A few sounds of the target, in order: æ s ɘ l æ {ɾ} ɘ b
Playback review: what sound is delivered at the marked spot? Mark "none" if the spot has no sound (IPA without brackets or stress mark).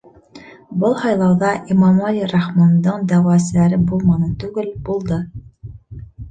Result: ɾ